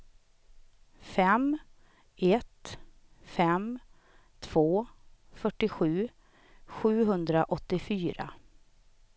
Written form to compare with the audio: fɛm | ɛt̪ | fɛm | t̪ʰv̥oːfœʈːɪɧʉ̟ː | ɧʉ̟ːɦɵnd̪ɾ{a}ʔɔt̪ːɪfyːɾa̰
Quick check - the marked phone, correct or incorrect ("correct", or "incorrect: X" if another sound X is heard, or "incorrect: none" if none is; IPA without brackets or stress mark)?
correct